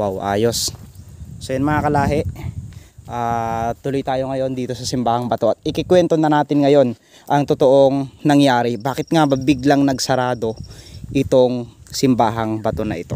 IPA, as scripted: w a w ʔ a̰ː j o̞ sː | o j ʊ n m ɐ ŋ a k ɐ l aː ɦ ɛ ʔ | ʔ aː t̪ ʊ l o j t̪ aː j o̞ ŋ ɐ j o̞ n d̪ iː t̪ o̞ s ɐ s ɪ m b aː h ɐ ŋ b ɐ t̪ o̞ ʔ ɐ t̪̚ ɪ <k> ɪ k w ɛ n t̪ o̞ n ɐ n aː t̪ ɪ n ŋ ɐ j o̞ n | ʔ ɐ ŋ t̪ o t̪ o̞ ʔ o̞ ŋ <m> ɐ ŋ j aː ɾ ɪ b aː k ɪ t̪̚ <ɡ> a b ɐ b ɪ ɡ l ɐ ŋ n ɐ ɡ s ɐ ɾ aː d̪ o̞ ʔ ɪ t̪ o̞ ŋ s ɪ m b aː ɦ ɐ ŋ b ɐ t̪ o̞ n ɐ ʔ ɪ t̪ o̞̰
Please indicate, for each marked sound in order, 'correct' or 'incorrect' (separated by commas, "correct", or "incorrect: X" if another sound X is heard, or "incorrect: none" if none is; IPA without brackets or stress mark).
correct, incorrect: n, incorrect: ŋ